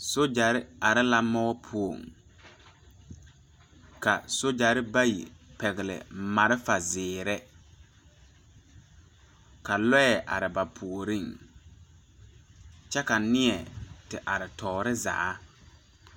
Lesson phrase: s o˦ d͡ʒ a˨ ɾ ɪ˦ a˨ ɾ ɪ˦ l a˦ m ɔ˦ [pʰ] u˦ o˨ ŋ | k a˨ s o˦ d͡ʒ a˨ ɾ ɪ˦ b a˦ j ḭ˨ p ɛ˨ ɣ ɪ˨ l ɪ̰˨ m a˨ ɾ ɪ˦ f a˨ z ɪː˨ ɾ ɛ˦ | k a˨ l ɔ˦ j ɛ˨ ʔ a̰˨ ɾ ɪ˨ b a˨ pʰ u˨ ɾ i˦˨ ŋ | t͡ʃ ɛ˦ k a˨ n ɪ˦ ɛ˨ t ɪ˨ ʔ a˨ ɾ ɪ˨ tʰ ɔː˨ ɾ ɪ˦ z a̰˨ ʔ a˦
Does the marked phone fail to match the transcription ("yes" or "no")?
no